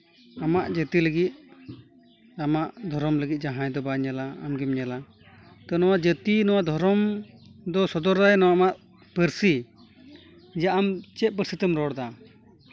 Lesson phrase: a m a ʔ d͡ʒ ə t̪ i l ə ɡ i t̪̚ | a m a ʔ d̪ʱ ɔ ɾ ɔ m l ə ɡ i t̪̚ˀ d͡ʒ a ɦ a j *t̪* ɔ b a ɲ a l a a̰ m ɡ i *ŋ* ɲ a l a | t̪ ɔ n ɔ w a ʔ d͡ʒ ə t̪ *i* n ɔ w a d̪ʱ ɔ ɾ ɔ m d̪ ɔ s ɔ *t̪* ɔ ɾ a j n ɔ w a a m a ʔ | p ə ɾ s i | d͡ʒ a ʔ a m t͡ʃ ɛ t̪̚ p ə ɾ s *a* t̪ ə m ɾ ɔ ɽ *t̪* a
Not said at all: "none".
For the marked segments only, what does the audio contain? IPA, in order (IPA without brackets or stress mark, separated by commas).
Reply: d̪, m, i, d̪, i, d̪